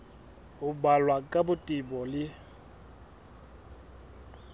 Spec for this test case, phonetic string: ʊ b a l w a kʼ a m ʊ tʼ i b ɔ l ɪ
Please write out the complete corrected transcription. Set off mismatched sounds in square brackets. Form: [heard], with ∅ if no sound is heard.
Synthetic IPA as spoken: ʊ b a l w a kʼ a [b] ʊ tʼ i b ɔ l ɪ

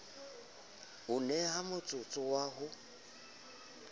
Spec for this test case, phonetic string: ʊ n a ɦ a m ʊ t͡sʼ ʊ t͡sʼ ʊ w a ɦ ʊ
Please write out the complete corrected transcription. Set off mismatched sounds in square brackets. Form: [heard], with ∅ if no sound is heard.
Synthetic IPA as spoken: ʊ n [ɛ] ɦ a m ʊ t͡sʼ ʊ t͡sʼ ʊ w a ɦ ʊ

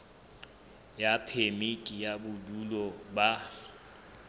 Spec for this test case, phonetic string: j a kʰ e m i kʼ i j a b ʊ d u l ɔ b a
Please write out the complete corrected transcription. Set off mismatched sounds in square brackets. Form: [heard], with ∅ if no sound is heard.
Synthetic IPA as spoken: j a [pʰ] e m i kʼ i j a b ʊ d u l ɔ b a

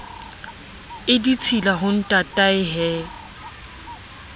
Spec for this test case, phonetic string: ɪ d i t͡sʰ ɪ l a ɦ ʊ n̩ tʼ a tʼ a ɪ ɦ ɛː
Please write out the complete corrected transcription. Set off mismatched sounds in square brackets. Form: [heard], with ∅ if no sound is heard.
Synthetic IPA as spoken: ɪ d i t͡sʰ [i] l a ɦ ʊ n̩ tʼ a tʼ a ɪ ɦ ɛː

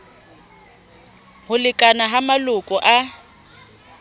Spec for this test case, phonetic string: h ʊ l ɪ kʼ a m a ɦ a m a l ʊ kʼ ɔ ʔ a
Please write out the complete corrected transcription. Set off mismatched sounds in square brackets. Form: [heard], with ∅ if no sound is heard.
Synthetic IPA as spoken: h ʊ l ɪ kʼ a [n] a ɦ a m a l ʊ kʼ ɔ ʔ a

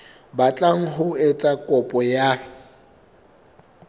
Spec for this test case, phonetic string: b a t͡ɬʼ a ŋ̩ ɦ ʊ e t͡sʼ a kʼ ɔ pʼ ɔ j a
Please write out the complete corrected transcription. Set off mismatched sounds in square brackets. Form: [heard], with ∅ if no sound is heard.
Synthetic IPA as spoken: b a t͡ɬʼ a ŋ̩ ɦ ʊ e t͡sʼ a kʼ ɔ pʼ ɔ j a

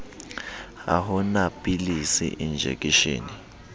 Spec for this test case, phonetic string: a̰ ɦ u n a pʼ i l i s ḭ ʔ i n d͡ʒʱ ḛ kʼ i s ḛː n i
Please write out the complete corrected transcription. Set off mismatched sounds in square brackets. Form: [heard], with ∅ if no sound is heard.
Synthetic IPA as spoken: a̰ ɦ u n a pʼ i l i s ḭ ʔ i n d͡ʒʱ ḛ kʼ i [ʃ] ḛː n i

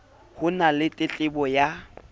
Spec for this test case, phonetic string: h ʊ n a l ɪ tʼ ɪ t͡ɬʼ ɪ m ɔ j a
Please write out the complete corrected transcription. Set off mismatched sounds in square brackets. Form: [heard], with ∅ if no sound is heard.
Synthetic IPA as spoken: h ʊ n a l ɪ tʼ ɪ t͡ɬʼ ɪ [b] ɔ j a

